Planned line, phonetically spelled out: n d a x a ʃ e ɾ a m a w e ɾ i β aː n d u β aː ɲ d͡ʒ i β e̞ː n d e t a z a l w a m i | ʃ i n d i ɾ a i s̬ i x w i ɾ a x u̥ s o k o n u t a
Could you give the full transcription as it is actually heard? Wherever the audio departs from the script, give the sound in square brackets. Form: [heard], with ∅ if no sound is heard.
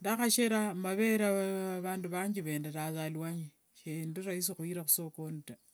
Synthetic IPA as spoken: n d a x a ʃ e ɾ a m a [β] e ɾ [a] β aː n d u β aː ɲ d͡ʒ i β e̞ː n d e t a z a l w a [ɲ] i | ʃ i n d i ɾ a i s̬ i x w i ɾ a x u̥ s o k o n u t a